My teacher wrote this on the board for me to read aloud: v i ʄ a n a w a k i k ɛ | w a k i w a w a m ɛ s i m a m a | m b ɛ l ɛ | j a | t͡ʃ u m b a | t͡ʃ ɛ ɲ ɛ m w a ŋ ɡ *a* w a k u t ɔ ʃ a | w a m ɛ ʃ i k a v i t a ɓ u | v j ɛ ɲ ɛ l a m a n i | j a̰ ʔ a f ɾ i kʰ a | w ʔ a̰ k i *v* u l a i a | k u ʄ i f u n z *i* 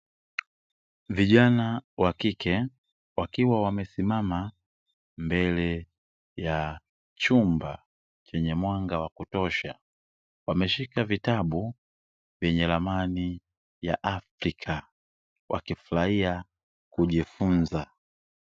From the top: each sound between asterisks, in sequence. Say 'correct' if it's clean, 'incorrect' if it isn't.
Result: correct, incorrect, incorrect

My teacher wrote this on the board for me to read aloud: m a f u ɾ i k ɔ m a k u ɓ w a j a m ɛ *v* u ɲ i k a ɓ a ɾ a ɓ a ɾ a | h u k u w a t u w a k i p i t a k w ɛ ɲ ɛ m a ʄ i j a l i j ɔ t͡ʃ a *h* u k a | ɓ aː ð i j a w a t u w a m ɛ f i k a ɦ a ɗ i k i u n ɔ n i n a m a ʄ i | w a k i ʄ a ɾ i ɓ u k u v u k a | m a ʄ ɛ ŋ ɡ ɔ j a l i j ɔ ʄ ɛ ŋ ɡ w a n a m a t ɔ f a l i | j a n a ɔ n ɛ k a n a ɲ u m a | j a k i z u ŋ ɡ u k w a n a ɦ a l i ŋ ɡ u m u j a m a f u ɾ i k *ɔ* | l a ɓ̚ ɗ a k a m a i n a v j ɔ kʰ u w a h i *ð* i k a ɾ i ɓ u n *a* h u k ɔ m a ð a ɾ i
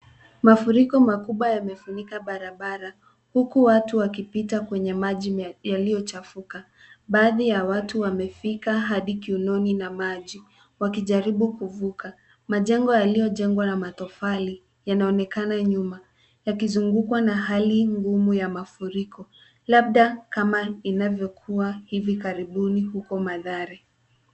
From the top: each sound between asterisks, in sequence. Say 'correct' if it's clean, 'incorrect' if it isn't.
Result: incorrect, incorrect, correct, incorrect, incorrect

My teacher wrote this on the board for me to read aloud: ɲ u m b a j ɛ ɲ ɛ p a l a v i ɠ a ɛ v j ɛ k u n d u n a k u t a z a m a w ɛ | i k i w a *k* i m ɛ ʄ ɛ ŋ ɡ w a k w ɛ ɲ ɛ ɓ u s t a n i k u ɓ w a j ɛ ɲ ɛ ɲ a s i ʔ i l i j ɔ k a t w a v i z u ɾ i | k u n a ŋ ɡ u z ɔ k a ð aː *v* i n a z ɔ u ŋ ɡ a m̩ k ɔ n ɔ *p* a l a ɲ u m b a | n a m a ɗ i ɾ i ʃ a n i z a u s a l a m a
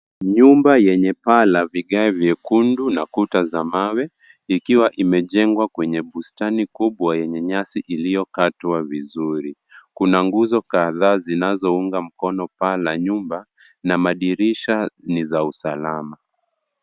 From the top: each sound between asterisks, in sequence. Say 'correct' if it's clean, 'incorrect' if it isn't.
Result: incorrect, incorrect, correct

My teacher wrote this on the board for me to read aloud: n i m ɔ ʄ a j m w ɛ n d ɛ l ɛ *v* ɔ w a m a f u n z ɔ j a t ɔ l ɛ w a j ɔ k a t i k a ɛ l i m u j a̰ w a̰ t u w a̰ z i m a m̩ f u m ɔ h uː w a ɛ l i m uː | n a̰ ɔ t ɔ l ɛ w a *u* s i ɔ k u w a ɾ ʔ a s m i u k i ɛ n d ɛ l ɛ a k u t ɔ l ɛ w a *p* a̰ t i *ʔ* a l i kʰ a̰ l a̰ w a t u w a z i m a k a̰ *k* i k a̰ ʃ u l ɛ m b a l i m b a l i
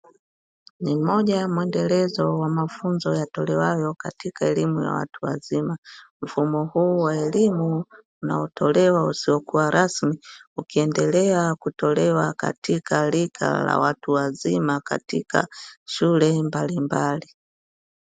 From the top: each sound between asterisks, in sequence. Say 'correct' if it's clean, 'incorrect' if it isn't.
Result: incorrect, correct, incorrect, incorrect, incorrect

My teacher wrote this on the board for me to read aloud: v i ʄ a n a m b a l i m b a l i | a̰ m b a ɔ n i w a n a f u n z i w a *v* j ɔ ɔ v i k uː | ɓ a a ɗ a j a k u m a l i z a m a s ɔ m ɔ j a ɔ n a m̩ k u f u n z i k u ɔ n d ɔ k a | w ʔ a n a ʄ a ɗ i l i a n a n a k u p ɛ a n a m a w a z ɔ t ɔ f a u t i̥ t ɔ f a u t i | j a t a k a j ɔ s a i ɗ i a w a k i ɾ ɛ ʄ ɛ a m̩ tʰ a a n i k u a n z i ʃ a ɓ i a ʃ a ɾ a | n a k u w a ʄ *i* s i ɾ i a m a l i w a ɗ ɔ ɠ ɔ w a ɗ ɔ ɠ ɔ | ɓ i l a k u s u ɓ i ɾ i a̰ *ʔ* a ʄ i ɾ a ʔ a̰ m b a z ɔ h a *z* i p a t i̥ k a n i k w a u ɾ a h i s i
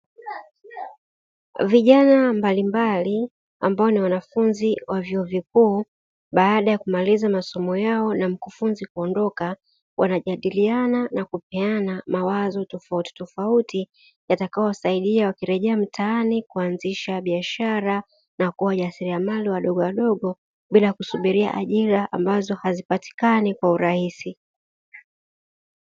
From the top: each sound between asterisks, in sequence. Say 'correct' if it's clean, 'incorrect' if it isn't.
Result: correct, incorrect, correct, correct

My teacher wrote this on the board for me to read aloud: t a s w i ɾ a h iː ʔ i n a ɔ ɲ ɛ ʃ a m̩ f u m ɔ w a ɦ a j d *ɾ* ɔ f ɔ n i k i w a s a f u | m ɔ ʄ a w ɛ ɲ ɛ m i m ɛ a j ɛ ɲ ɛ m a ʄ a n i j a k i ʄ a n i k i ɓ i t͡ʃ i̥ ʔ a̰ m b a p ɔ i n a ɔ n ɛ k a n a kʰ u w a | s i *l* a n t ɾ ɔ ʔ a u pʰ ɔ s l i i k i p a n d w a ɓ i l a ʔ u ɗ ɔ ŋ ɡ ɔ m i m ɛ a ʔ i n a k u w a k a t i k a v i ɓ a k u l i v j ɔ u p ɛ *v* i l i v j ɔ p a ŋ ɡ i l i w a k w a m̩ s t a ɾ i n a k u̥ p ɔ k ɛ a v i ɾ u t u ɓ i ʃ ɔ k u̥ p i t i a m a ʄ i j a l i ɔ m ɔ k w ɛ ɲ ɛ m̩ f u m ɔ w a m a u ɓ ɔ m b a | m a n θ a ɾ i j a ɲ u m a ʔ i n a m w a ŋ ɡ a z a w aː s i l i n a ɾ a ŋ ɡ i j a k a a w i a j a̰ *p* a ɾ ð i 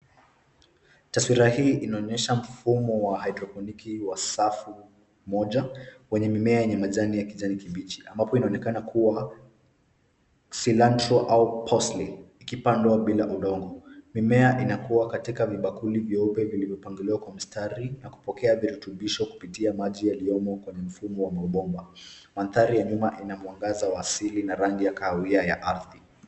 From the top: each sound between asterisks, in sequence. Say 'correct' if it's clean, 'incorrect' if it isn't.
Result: correct, correct, correct, incorrect

